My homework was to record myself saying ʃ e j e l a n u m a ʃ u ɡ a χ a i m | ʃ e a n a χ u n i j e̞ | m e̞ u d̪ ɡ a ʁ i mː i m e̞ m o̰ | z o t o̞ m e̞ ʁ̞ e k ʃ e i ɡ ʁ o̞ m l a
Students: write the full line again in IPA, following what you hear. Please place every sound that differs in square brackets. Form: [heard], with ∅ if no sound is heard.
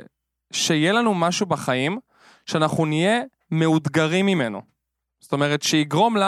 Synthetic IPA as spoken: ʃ e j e l a n u m a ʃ u [b] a χ a i m | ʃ e a n a χ u n i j e̞ | m e̞ u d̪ ɡ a ʁ i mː i m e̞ [n] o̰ | z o t o̞ m e̞ ʁ̞ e [t] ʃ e i ɡ ʁ o̞ m l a